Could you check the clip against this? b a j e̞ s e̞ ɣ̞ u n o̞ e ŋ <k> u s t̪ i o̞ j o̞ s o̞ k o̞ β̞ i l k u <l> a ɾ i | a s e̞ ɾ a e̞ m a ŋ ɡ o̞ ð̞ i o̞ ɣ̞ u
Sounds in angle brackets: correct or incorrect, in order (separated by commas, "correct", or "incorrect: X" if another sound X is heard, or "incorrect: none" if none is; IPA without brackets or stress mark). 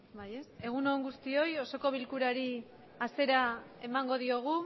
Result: incorrect: ɡ, incorrect: ɾ